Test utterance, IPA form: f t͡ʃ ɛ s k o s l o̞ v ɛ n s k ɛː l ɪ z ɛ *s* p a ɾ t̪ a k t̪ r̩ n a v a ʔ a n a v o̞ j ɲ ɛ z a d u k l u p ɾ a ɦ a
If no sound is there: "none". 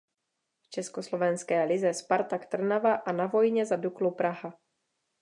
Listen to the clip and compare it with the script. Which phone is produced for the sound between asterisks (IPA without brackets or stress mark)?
s